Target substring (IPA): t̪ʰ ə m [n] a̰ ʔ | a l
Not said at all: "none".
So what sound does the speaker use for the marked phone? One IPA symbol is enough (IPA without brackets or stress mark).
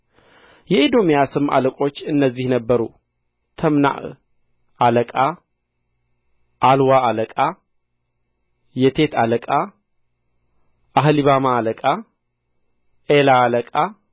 n